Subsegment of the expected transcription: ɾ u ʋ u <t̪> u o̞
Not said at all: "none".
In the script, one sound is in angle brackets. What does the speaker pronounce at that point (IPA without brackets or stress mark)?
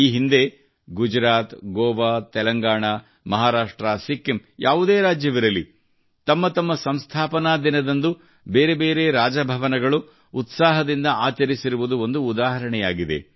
d̪